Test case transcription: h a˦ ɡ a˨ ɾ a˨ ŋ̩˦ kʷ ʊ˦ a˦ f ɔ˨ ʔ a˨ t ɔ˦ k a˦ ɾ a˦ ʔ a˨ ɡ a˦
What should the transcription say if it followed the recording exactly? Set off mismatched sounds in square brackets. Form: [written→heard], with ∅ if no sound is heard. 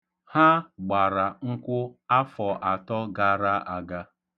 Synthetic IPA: h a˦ [ɡ→ɡ͡b] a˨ ɾ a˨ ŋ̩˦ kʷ ʊ˦ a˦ f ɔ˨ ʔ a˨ t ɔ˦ [k→ɡ] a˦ ɾ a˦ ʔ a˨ ɡ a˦